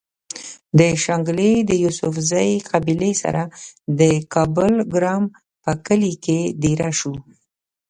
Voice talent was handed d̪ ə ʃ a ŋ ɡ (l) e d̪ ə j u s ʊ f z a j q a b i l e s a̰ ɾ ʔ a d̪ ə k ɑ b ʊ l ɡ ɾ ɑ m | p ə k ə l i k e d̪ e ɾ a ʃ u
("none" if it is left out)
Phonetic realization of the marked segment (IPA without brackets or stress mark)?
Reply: l